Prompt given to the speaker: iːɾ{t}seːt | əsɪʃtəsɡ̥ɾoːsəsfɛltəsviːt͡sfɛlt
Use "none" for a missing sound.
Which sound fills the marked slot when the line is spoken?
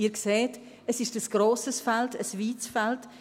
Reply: k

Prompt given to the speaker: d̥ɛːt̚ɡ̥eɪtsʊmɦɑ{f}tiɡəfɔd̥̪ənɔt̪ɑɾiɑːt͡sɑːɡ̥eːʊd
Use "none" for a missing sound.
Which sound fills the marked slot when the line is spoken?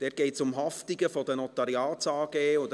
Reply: f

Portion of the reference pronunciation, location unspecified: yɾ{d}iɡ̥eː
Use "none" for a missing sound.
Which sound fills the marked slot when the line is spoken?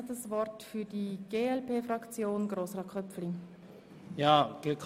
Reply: d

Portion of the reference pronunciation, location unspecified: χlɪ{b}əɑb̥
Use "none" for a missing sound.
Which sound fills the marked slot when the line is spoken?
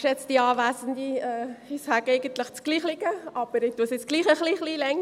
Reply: ɡ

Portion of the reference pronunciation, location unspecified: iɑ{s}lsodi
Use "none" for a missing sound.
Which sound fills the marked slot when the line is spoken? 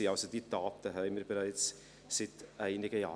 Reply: none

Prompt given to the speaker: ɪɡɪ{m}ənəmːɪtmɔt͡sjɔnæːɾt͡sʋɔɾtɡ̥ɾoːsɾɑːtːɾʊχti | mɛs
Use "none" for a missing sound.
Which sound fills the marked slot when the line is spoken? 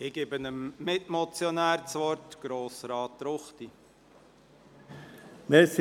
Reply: b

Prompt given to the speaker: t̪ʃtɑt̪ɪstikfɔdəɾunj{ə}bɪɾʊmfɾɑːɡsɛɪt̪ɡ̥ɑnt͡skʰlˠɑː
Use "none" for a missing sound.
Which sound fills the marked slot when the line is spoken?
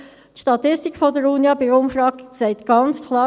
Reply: ɑ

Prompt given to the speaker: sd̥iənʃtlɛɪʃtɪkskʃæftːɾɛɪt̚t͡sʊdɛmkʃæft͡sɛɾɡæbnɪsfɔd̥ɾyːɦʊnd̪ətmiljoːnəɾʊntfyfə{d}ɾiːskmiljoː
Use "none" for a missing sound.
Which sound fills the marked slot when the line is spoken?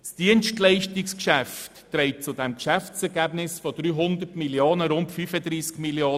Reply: d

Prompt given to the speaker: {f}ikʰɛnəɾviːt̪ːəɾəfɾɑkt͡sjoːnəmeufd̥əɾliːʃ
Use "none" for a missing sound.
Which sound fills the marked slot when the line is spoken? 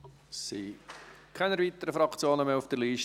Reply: s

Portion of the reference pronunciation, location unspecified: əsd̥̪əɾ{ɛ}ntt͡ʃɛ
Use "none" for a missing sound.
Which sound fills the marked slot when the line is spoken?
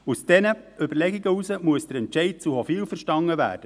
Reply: ɛ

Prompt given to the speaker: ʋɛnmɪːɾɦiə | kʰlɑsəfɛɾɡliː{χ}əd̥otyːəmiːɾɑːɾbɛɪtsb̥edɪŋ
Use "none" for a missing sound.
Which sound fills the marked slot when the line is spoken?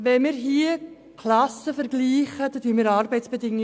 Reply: χ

